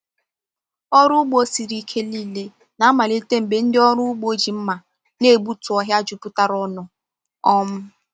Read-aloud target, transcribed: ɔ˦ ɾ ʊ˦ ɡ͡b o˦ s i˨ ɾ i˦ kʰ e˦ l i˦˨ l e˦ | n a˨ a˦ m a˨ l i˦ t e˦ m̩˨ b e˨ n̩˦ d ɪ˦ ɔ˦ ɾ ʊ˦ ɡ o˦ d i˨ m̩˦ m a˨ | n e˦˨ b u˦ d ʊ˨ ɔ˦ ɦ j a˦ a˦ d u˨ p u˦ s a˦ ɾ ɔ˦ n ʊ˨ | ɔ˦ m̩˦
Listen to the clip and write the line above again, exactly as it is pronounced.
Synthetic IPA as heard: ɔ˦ ɾ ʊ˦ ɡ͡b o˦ s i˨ ɾ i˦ kʰ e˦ l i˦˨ l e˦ | n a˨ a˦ m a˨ l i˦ t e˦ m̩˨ b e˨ n̩˦ d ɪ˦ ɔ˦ ɾ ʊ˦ ɡ͡b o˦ d͡ʒ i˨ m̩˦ m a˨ | n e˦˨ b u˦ t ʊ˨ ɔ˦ ɦ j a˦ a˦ d͡ʒ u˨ p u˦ t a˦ ɾ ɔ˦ n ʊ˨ | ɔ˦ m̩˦